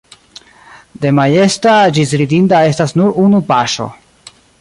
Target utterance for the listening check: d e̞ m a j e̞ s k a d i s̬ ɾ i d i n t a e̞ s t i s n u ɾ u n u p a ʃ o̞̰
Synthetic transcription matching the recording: d e̞ m a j e̞ s t a d͡ʒ i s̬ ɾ i d i n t a e̞ s t a s n u ɾ u n u p a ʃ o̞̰